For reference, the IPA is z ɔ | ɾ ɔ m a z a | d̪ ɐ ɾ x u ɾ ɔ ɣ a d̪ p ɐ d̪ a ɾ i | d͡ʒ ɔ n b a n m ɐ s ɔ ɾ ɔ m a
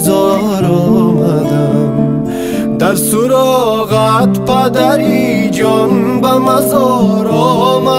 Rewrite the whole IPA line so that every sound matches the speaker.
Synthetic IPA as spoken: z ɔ | ɾ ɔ m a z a | d̪ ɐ ɾ s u ɾ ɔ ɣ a t̪ p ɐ d̪ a ɾ i | d͡ʒ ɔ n b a m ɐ z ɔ ɾ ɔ m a

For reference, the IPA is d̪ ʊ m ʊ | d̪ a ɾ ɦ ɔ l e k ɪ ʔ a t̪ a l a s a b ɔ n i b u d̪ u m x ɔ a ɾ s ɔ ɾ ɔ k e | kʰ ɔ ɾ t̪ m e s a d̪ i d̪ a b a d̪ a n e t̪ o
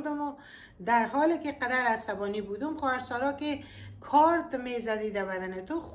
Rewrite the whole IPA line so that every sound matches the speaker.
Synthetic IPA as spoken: d̪ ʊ m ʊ | d̪ a ɾ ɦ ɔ l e k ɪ q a d̪ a ɾ a s a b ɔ n i b u d̪ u m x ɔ a ɾ s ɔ ɾ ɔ k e | kʰ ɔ ɾ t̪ m e z a d̪ i d̪ a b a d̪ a n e t̪ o

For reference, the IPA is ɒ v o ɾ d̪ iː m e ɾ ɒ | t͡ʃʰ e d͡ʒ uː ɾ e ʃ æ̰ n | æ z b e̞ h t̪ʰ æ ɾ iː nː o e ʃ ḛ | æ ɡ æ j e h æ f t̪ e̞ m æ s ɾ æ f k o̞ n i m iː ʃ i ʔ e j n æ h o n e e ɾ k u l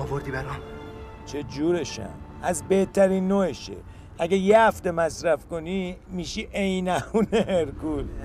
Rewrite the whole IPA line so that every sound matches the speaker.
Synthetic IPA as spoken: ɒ v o ɾ d̪ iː b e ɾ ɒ | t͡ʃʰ e d͡ʒ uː ɾ e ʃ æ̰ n | æ z b e̞ h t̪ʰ æ ɾ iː nː o e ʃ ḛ | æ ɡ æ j e h æ f t̪ e̞ m æ s ɾ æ f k o̞ n i m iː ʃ i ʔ e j n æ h u n e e ɾ k u l

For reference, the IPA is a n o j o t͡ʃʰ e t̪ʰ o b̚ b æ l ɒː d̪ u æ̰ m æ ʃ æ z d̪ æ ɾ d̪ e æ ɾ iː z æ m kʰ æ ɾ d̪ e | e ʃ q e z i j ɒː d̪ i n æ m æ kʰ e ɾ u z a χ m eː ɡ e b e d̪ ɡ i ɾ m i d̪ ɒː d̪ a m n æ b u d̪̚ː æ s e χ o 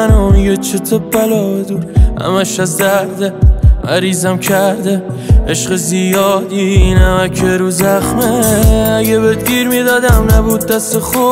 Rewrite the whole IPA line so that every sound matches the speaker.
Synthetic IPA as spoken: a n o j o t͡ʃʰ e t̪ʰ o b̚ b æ l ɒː d̪ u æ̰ m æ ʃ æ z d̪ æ ɾ d̪ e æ ɾ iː z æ m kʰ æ ɾ d̪ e | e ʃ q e z i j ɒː d̪ i n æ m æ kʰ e ɾ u z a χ m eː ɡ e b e d̪ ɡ i ɾ m i d̪ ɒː d̪ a m n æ b u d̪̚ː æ s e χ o

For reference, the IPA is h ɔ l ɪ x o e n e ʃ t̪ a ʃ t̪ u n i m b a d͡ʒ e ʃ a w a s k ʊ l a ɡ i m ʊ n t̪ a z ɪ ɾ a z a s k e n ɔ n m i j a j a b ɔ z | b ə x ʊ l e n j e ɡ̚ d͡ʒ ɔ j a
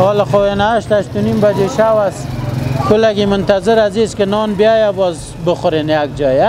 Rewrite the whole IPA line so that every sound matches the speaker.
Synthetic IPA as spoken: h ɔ l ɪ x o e n a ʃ t̪ a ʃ t̪ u n i m b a d͡ʒ e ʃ a w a s k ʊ l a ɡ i m ʊ n t̪ a z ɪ ɾ a z i s k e n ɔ n b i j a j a b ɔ z | b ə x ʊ ɾ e n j a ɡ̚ d͡ʒ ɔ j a

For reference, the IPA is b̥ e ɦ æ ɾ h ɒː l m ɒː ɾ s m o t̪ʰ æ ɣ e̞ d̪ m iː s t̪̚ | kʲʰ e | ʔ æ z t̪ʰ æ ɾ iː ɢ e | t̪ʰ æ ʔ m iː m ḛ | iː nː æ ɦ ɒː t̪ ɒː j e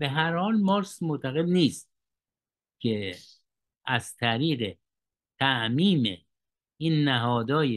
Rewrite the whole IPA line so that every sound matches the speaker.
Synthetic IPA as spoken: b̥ e ɦ æ ɾ h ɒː l m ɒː ɾ s m o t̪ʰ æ ɣ e̞ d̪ n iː s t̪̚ | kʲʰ e | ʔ æ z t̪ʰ æ ɾ iː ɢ e | t̪ʰ æ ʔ m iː m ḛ | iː nː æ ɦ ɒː d̪ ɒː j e

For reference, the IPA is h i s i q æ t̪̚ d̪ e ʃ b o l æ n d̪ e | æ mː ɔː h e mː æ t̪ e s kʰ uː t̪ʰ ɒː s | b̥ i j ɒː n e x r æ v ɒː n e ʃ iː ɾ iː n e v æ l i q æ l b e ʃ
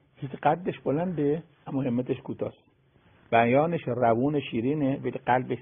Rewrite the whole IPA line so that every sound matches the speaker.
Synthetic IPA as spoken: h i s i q æ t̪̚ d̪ e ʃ b o l æ n d̪ e | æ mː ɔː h e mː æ t̪ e ʃ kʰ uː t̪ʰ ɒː s | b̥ æ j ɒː n e ʃ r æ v uː n e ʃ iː ɾ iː n e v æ l i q æ l b e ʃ

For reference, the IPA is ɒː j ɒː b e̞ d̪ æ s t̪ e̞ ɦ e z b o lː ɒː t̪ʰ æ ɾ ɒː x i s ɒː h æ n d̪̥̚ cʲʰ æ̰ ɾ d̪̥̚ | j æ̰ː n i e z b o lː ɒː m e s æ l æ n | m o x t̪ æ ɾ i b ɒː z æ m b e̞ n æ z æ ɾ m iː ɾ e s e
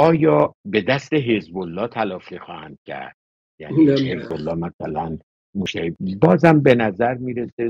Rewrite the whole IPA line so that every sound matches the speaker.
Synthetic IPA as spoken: ɒː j ɒː b e̞ d̪ æ s t̪ e̞ ɦ e z b o lː ɒː t̪ʰ æ l ɒː f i x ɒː h æ n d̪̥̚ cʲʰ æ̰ ɾ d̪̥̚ | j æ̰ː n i e z b o lː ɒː m æ s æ l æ n | m o ʃ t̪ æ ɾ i b ɒː z æ m b e̞ n æ z æ ɾ m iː ɾ e s e

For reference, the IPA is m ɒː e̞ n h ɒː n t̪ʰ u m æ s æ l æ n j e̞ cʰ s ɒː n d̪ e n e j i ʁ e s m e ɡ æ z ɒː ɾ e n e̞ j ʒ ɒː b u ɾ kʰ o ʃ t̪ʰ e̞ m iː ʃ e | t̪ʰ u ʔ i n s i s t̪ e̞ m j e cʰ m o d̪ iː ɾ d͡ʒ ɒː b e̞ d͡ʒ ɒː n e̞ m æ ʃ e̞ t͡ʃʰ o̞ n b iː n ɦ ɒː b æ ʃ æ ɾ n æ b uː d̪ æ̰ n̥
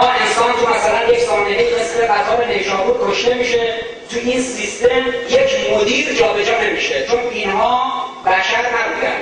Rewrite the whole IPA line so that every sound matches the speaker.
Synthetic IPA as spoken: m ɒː e̞ n s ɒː n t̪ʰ u m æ s æ l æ n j e̞ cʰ s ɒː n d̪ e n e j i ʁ e s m e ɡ æ z ɒː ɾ e n e̞ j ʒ ɒː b u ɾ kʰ o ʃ t̪ e̞ m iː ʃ e | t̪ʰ u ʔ i n s i s t̪ e̞ m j e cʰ m o d̪ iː ɾ d͡ʒ ɒː b e̞ d͡ʒ ɒː n e̞ m i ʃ e̞ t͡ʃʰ o̞ n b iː n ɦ ɒː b æ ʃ æ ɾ n æ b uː d̪ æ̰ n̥

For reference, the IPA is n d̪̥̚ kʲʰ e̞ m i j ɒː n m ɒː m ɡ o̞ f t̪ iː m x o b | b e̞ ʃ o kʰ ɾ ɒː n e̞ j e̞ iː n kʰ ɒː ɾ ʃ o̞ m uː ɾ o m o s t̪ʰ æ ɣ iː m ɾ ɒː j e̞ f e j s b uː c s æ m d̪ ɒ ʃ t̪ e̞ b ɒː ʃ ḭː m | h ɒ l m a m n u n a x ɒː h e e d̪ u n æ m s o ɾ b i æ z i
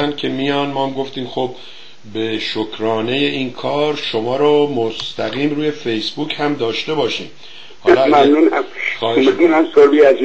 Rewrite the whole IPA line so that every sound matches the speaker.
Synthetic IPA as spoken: n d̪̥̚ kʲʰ e̞ m i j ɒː n m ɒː m ɡ o̞ f t̪ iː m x o b | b e̞ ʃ o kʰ ɾ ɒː n e̞ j e̞ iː n kʰ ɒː ɾ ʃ o̞ m ɒː ɾ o m o s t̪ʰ æ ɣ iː m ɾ uː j e̞ f e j s b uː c h æ m d̪ ɒː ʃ t̪ e̞ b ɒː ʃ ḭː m | h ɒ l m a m n u n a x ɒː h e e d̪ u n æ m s o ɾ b i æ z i

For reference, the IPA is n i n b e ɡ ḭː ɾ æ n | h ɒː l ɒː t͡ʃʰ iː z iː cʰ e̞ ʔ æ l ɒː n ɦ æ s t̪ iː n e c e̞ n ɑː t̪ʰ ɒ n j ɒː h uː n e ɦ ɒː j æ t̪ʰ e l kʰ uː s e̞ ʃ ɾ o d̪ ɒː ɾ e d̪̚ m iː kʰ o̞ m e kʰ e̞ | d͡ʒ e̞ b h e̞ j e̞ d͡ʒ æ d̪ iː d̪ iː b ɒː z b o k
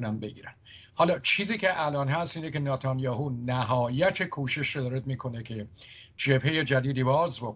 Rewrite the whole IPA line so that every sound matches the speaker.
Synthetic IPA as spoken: n æ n b e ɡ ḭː ɾ æ n | h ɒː l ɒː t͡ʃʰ iː z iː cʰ e̞ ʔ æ l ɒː n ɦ æ s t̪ iː n e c e̞ n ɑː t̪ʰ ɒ n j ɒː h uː n æ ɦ ɒː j æ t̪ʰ e kʰ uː ʃ e̞ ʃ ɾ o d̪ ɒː ɾ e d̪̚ m iː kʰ o̞ n e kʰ e̞ | d͡ʒ e̞ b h e̞ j e̞ d͡ʒ æ d̪ iː d̪ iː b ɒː z b o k

